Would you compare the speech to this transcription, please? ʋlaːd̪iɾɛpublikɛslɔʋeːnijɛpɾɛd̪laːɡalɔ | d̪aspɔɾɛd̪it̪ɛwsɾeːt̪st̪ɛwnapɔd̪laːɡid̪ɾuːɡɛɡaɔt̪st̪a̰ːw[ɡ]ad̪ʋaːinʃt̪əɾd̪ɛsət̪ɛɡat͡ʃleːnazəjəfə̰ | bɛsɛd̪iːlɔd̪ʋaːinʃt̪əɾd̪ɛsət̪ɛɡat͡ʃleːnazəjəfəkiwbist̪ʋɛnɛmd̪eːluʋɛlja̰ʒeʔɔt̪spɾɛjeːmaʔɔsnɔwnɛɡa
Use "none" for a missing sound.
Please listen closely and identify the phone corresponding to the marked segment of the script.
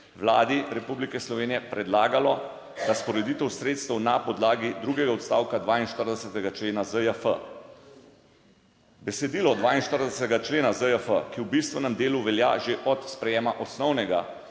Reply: k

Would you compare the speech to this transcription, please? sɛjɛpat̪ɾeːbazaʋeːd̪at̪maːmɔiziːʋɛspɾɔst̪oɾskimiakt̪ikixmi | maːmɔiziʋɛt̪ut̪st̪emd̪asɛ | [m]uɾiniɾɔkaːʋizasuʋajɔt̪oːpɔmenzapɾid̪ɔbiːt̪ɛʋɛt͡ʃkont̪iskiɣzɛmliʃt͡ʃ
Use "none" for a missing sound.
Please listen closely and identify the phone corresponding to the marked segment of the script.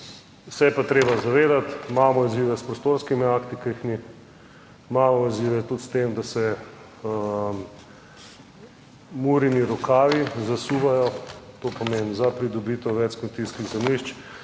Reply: m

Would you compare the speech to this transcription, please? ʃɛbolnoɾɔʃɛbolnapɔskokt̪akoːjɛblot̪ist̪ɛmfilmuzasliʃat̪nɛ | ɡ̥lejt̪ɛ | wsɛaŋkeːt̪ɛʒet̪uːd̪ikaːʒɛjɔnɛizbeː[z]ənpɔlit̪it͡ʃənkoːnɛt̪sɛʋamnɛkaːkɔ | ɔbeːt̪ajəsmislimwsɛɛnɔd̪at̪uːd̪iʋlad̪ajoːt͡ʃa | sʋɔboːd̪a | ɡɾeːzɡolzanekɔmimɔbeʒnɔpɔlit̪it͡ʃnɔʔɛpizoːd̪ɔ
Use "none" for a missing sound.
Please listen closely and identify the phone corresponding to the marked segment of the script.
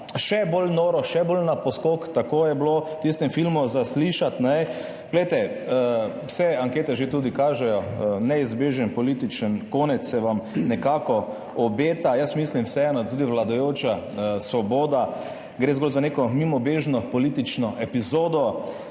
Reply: ʒ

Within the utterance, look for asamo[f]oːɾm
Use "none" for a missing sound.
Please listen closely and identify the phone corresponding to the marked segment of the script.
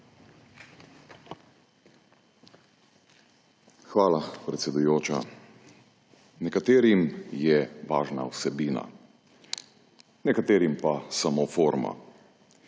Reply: f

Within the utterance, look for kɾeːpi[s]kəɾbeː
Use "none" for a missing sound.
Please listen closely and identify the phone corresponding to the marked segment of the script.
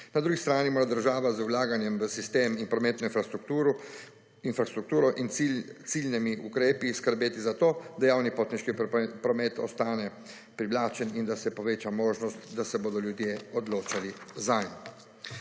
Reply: s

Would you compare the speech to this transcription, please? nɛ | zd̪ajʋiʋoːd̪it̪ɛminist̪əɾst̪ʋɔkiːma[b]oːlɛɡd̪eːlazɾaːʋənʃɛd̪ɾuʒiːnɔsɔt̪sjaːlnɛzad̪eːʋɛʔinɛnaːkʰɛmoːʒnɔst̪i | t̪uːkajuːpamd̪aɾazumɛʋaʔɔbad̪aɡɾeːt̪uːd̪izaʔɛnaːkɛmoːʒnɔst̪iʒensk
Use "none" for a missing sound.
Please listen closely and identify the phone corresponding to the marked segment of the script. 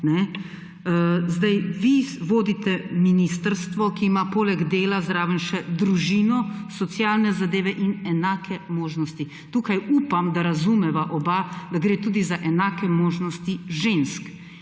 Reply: p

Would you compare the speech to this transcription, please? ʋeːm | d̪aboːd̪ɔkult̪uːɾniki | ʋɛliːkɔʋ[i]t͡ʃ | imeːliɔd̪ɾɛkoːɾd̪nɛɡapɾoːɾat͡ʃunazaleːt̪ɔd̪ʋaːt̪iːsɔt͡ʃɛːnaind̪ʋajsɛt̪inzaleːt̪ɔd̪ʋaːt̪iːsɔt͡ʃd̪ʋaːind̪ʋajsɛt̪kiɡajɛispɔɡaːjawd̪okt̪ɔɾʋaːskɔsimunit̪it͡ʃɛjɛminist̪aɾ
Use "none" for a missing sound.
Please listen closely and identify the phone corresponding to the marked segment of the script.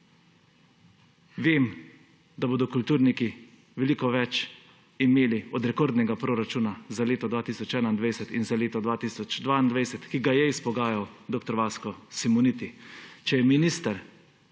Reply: ɛ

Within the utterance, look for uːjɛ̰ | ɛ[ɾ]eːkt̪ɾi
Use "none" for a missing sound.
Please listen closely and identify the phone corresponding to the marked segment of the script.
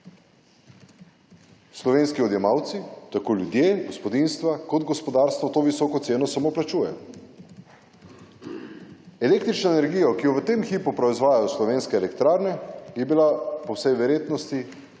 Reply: l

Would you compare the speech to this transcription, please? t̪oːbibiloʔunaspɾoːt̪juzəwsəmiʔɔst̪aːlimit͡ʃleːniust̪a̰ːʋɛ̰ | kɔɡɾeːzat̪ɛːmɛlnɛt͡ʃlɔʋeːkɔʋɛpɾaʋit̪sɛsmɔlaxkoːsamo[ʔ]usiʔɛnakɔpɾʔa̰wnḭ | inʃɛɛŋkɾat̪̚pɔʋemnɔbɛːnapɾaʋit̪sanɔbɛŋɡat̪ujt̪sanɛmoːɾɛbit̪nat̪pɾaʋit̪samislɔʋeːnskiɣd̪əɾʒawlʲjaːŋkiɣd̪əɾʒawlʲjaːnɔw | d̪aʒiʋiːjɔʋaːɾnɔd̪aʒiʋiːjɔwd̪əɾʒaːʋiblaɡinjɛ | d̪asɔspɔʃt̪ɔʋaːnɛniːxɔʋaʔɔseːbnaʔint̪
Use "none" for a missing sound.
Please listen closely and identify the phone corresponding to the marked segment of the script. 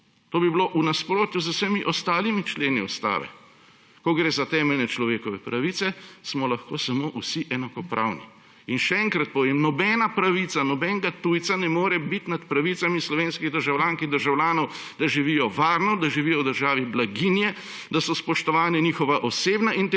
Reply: ʔ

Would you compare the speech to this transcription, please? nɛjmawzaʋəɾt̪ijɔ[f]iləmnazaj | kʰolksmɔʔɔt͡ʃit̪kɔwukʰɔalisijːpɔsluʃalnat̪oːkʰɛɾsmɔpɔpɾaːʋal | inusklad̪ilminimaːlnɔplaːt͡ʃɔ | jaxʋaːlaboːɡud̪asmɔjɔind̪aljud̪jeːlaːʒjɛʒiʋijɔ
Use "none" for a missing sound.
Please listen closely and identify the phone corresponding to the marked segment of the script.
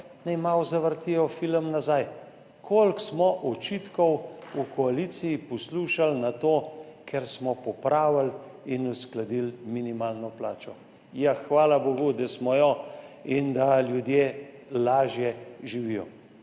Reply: f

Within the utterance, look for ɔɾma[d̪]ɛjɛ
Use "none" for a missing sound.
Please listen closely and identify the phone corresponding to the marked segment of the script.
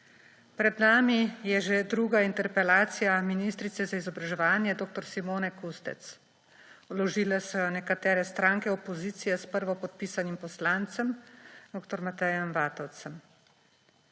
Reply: t̪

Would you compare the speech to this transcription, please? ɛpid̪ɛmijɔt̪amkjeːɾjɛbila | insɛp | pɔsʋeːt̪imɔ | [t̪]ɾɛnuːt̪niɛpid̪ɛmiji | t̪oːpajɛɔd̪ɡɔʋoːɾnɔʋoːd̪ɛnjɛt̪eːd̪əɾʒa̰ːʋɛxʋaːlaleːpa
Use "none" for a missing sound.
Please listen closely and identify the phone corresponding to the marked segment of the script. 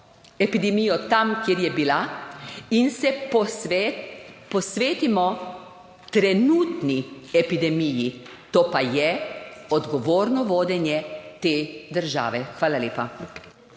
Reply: t̪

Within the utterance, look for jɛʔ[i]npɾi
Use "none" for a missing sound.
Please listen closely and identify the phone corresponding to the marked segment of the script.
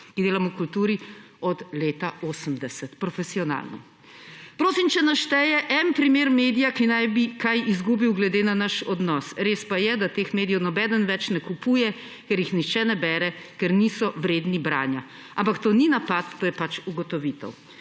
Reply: ɛ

